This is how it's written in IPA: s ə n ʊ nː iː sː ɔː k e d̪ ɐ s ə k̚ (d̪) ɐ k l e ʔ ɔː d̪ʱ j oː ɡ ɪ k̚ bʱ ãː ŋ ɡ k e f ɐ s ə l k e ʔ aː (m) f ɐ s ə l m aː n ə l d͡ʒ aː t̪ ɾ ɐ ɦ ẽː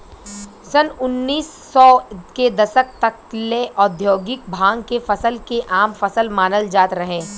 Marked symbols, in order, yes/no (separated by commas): no, yes